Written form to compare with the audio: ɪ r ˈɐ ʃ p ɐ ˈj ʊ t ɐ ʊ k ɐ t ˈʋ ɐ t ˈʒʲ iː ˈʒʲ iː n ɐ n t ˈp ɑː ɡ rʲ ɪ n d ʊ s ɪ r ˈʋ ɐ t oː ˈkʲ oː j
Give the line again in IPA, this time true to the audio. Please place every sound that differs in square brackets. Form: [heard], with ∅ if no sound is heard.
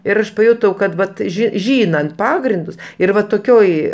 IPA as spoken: ɪ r ˈɐ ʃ p ɐ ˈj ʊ t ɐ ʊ k ɐ t ˈʋ ɐ t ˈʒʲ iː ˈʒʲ iː n ɐ n t ˈp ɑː ɡ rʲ ɪ n d ʊ s ɪ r ˈʋ ɐ t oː ˈkʲ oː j